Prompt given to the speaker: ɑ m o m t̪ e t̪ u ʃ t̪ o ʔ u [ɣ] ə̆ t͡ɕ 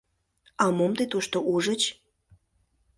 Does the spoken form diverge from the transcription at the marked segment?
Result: yes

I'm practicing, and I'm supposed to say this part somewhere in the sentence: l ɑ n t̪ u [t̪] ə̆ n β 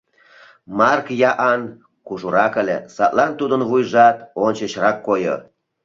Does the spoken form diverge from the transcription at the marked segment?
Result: yes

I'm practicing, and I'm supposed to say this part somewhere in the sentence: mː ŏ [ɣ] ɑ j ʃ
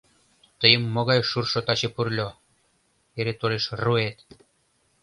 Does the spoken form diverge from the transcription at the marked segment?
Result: no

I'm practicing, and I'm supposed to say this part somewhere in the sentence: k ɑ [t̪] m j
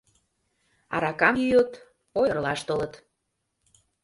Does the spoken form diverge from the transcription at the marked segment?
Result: yes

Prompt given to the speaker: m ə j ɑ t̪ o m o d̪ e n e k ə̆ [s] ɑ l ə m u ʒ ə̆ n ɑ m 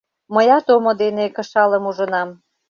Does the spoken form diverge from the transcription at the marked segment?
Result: yes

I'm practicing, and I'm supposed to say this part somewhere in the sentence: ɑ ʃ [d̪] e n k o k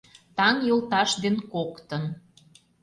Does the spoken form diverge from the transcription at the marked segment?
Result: no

